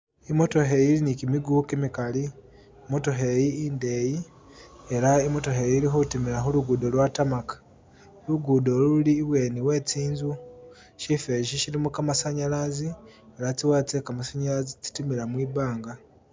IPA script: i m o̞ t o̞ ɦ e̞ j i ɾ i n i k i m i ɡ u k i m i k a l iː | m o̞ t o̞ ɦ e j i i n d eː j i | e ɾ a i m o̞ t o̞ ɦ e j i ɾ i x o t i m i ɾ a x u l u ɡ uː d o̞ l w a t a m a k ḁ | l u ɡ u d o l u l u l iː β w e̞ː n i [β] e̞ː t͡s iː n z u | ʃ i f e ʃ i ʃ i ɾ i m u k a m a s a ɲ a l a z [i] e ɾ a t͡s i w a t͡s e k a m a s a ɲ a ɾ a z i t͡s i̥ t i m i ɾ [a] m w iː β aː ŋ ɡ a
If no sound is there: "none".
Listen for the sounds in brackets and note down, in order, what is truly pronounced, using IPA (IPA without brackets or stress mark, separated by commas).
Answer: w, i, a